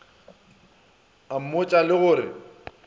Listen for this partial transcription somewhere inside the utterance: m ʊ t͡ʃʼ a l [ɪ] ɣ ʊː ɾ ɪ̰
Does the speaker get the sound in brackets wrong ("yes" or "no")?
no